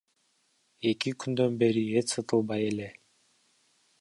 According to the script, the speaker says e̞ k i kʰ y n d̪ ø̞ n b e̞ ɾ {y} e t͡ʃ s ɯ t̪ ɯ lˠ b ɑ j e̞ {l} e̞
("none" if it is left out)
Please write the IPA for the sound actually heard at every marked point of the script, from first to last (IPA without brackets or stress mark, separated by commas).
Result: i, l